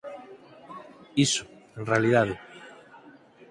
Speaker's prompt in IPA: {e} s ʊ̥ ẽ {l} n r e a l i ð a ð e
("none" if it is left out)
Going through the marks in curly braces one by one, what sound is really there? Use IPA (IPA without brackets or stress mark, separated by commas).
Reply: i, none